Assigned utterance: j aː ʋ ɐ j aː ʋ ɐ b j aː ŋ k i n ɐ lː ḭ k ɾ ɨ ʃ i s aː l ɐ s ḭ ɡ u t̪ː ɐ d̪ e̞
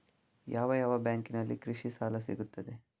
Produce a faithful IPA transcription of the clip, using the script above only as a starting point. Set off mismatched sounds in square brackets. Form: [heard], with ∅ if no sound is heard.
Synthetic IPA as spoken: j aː ʋ ɐ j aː ʋ ɐ b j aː ŋ k i n ɐ lː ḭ k ɾ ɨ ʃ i s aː l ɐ s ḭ ɡ u t̪ː ɐ d̪ e̞